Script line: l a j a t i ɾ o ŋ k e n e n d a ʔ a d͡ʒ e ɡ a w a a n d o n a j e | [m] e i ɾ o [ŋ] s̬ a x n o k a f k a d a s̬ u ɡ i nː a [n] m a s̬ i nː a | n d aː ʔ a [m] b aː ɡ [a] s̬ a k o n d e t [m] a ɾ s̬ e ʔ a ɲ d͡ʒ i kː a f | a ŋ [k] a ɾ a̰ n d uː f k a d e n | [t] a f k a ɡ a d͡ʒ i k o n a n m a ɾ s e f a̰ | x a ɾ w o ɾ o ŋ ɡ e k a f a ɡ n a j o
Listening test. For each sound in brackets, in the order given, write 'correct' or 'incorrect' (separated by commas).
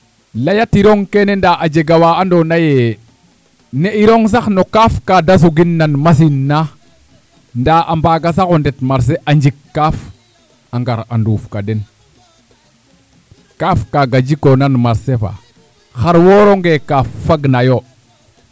incorrect, correct, correct, correct, correct, correct, incorrect, incorrect